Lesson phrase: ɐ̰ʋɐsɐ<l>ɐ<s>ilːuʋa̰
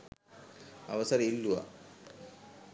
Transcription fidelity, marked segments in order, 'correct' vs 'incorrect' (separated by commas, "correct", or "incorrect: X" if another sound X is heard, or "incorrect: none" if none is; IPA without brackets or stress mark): incorrect: ɾ, incorrect: none